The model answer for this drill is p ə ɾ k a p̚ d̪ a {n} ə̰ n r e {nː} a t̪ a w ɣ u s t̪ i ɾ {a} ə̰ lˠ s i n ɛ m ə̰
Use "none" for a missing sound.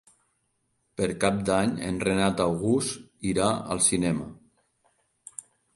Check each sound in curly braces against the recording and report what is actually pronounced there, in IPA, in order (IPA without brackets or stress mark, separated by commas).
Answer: ɲ, n, a